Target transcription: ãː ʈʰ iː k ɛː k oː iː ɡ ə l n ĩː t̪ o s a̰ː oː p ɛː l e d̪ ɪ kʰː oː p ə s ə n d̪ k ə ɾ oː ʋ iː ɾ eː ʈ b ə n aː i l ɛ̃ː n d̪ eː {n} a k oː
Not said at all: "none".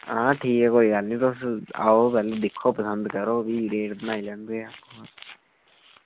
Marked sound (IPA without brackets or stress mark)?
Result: none